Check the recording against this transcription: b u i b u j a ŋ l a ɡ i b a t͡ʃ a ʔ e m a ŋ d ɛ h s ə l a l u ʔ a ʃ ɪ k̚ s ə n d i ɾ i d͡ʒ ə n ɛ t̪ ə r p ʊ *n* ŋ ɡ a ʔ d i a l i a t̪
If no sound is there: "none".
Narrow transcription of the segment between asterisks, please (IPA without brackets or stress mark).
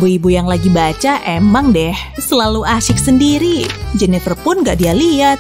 n